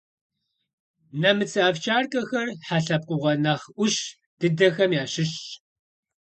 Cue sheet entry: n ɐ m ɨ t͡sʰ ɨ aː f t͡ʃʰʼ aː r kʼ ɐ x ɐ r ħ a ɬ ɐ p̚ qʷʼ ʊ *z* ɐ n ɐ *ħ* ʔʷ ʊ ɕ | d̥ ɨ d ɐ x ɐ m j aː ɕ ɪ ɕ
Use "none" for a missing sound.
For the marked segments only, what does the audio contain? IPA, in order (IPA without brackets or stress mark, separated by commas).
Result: ʁ, χ